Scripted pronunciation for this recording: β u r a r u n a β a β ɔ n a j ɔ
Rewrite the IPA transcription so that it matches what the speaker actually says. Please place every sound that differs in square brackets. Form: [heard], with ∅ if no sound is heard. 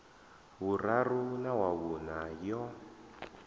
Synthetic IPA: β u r a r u n a [w] a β [u] n a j ɔ